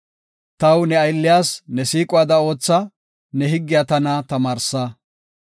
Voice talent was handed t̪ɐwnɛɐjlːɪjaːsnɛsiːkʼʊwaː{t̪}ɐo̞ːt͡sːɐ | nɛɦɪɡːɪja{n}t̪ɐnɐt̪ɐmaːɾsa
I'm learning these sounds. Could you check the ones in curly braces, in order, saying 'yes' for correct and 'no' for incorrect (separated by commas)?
no, no